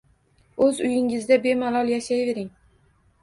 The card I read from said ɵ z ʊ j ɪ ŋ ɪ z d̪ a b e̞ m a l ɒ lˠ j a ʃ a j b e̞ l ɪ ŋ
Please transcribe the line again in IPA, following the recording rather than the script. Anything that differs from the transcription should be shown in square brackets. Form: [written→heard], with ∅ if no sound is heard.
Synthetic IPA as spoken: ɵ z ʊ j ɪ ŋ ɪ z d̪ a b e̞ m a l ɒ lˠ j a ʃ a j [b→v] e̞ [l→ɾ] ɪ ŋ